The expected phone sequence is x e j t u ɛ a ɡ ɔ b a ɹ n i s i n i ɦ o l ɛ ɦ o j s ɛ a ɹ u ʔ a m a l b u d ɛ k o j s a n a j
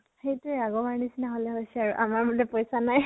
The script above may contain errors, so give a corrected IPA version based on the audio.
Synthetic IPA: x e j t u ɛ a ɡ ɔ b a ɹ n i s i n a ɦ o l ɛ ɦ o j s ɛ a ɹ u ʔ a m a ɹ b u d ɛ p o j s a n a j